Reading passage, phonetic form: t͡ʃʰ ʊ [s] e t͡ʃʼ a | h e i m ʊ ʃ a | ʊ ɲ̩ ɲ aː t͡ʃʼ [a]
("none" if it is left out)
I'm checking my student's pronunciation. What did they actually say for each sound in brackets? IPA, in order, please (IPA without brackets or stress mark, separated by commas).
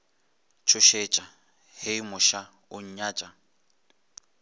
ʃ, a